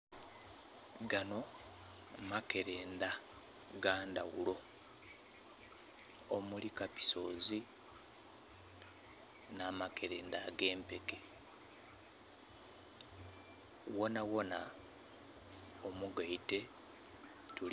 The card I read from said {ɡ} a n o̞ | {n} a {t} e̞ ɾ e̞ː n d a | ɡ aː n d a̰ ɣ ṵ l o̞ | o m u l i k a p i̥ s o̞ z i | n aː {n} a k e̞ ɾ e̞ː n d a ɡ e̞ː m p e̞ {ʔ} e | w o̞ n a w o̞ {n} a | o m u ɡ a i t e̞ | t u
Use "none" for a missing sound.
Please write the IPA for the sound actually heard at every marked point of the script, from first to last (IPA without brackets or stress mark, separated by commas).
ɡ, m, k, m, k, n